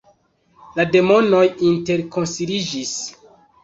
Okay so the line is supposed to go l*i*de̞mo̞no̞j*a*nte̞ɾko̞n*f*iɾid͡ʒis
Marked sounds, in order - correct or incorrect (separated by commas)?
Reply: incorrect, incorrect, incorrect